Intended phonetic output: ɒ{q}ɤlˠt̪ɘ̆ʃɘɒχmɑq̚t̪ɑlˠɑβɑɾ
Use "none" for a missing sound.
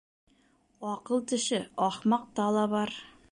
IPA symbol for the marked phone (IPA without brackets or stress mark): q